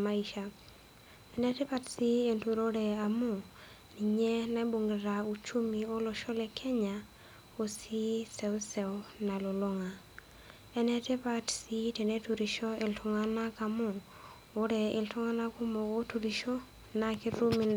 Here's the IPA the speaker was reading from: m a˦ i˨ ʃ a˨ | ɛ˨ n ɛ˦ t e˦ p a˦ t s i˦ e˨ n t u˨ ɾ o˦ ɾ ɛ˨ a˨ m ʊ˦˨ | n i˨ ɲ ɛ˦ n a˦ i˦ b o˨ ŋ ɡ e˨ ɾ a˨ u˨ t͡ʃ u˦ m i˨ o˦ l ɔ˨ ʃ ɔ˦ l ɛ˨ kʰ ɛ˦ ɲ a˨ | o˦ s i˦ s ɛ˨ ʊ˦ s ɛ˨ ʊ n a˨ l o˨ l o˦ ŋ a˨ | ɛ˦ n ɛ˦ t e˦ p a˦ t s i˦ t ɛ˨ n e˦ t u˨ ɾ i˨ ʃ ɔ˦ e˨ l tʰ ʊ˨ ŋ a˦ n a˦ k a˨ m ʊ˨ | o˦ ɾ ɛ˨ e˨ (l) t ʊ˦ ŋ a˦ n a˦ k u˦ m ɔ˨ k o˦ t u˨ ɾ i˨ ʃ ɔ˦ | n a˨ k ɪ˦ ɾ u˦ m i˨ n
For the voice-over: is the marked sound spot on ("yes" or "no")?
yes